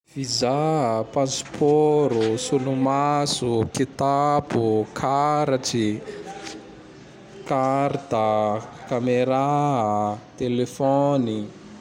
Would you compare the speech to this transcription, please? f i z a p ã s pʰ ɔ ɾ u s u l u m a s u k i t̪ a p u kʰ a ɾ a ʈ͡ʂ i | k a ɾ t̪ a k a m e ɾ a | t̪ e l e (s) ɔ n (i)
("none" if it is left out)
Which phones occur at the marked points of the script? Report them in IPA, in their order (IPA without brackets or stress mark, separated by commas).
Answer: f, i